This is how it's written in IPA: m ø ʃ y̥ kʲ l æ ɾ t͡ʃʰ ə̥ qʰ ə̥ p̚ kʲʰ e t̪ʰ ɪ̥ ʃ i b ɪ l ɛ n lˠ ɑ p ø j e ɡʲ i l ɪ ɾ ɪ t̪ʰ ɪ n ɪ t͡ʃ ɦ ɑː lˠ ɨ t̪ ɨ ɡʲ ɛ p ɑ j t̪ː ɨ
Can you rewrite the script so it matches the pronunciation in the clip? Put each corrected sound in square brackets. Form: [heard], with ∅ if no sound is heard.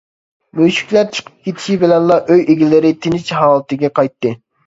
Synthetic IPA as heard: m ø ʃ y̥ kʲ l æ ɾ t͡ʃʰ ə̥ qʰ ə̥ p̚ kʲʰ e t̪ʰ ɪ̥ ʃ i b ɪ l ɛ n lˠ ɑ [ʔ] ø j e ɡʲ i l ɪ ɾ ɪ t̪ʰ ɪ n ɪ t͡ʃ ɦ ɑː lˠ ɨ t̪ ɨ ɡʲ ɛ [q] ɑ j t̪ː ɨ